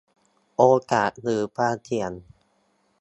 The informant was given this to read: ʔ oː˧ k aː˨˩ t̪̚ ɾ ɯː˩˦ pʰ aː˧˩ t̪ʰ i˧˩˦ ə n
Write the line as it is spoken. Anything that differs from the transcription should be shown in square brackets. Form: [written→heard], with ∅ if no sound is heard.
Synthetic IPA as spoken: ʔ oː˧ k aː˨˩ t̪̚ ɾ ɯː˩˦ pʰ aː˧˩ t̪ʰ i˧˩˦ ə n